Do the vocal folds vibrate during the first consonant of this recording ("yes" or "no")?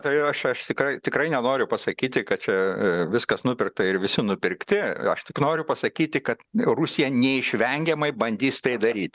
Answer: no